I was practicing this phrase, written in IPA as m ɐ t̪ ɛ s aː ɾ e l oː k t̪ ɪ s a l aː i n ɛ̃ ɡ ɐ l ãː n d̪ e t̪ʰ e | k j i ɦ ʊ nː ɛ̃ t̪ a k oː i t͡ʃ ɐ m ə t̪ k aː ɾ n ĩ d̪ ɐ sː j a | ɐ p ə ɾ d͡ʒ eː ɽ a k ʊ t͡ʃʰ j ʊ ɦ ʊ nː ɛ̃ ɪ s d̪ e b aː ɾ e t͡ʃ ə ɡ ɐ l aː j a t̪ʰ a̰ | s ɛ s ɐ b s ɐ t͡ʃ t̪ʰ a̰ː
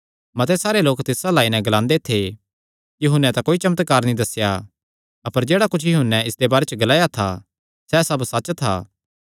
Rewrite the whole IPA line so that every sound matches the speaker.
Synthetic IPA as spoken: m ɐ t̪ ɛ s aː ɾ e l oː k t̪ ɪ s a l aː i n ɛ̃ ɡ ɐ l ãː n d̪ e t̪ʰ e | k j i ɦ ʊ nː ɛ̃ t̪ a k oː i t͡ʃ ɐ m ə t̪ k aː ɾ n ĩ d̪ ɐ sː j a | ɐ p ə ɾ d͡ʒ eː ɽ a k ʊ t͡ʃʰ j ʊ ɦ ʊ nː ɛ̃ ɪ s d̪ e b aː ɾ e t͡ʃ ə ɡ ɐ l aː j a t̪ʰ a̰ | s ɛ s ɐ b s ɐ t͡ʃ t̪ʰ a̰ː